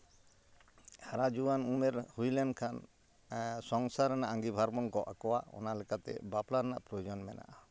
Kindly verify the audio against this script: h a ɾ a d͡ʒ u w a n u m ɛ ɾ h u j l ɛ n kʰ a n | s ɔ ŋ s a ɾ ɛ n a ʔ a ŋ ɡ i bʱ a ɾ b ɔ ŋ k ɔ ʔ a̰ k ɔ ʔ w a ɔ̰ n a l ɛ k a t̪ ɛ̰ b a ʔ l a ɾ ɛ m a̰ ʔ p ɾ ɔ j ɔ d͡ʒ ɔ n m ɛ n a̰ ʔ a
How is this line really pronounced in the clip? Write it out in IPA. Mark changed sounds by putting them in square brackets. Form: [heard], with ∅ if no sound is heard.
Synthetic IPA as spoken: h a ɾ a d͡ʒ u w a n u m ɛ ɾ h u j l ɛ n kʰ a n | s ɔ ŋ s a ɾ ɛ n a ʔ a ŋ ɡ i bʱ a ɾ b ɔ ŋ k ɔ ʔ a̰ k ɔ [∅] w a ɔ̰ n a l ɛ k a t̪ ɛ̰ b a [p] l a ɾ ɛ [n] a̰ ʔ p ɾ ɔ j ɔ d͡ʒ ɔ n m ɛ n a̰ ʔ a